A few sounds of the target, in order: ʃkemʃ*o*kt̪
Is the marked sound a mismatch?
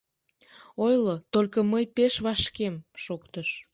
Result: no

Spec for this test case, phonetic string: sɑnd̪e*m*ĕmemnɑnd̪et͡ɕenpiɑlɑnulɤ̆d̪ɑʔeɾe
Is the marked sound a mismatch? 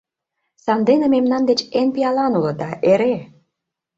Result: yes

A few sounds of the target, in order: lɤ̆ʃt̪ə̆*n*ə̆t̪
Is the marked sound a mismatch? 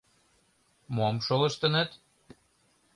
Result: no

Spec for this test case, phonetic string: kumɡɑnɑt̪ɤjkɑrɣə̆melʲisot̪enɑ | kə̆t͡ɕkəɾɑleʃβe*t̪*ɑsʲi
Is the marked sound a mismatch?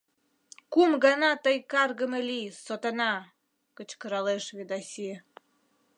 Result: yes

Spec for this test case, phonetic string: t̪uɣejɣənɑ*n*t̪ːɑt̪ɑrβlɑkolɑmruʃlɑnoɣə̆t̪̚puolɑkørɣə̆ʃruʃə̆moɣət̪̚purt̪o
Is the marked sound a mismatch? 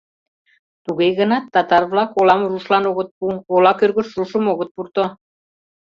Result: yes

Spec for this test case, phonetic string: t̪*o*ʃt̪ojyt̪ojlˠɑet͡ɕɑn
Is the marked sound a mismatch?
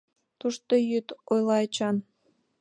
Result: yes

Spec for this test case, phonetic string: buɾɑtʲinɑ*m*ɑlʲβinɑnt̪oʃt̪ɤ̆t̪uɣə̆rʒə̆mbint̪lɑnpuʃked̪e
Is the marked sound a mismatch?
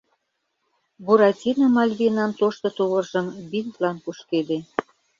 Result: no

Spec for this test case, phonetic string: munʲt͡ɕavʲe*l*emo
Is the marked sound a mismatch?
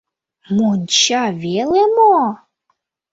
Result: no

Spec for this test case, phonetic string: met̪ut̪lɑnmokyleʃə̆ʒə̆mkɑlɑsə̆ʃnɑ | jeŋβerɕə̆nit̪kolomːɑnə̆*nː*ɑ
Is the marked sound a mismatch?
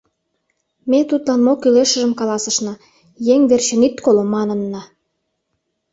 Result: no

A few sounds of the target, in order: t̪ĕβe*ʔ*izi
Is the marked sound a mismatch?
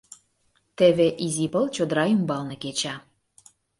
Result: no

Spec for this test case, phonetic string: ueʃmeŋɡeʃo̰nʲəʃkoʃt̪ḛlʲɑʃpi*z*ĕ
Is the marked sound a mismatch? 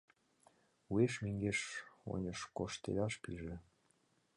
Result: yes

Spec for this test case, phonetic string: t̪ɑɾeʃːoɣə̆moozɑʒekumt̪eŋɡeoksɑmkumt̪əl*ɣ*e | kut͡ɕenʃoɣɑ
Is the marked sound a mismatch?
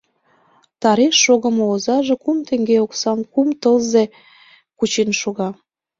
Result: yes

